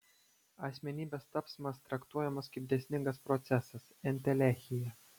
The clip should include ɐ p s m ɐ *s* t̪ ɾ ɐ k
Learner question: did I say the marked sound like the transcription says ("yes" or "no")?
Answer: yes